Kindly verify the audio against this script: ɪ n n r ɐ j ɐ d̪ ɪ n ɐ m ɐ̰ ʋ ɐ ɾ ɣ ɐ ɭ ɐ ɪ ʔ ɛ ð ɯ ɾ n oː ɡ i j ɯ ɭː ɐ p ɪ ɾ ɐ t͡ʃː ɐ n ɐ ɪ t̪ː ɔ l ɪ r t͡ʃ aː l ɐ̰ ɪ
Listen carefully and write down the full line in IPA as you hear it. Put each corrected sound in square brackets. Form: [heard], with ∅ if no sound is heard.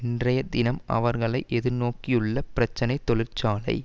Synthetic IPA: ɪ n [d] r ɐ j ɐ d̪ ɪ n ɐ m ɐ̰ ʋ ɐ ɾ ɣ ɐ ɭ ɐ ɪ ʔ ɛ ð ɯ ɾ n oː [k] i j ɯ ɭː ɐ p ɪ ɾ ɐ t͡ʃː ɐ n ɐ ɪ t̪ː ɔ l ɪ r t͡ʃ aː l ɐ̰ ɪ

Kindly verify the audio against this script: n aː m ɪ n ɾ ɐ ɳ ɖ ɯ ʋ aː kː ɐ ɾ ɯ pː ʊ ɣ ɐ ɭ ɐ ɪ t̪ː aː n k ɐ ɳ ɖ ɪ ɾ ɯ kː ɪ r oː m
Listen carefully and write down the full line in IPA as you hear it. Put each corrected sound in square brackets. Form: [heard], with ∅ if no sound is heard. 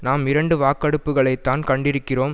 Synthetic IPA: n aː m ɪ [∅] ɾ ɐ ɳ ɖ ɯ ʋ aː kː ɐ [ɽ] ɯ pː [ɯ] ɣ ɐ ɭ ɐ ɪ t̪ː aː n k ɐ ɳ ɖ ɪ ɾ ɯ kː ɪ r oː m

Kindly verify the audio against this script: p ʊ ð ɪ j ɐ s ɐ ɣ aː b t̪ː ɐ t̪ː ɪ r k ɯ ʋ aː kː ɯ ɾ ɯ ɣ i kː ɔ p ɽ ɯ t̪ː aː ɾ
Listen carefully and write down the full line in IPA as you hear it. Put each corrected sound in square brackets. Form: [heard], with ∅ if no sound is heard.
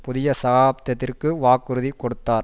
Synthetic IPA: p ʊ ð ɪ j ɐ s ɐ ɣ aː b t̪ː ɐ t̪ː ɪ r k ɯ ʋ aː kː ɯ ɾ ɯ [ð] i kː ɔ [∅] ɽ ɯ t̪ː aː ɾ

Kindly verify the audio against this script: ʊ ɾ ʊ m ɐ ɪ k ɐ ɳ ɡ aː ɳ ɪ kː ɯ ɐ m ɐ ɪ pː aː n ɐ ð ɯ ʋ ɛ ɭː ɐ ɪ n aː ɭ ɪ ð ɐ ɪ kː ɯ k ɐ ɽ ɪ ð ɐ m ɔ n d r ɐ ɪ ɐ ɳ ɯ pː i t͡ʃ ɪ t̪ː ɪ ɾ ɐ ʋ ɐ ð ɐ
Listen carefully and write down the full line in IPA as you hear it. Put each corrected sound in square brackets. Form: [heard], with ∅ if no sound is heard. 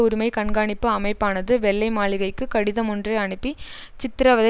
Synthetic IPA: ʊ ɾ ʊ m ɐ ɪ k ɐ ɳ ɡ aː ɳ ɪ [pː] ɯ ɐ m ɐ ɪ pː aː n ɐ ð ɯ ʋ ɛ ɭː ɐ ɪ [m] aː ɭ ɪ [ɣ] ɐ ɪ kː ɯ k ɐ ɽ ɪ ð ɐ m ɔ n d r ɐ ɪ ɐ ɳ ɯ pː i t͡ʃ ɪ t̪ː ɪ ɾ ɐ ʋ ɐ ð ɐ

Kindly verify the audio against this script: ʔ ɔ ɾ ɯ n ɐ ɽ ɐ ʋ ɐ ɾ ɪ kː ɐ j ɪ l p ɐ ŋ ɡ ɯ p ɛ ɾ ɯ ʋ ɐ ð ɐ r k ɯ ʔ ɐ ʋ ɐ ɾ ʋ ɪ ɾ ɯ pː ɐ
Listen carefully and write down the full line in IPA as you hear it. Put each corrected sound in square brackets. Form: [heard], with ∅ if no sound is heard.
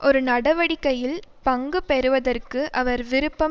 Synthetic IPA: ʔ ɔ ɾ ɯ n ɐ ɽ ɐ ʋ ɐ [ɽ] ɪ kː ɐ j ɪ l p ɐ ŋ ɡ ɯ p ɛ ɾ ɯ ʋ ɐ ð ɐ r k ɯ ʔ ɐ ʋ ɐ ɾ ʋ ɪ ɾ ɯ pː ɐ

